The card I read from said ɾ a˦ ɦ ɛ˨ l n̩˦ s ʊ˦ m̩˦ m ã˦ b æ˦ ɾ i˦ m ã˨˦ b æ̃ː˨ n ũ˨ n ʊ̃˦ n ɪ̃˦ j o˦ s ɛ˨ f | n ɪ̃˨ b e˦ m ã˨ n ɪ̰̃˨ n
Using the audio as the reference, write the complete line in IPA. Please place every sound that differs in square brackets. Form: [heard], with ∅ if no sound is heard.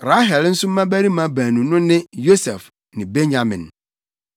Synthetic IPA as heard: ɾ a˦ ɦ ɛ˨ l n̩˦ s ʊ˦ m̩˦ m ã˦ b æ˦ ɾ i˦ m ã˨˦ b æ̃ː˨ n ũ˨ n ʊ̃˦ n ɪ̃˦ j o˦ s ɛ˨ f | n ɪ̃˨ b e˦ [ɲ] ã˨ [m] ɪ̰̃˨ n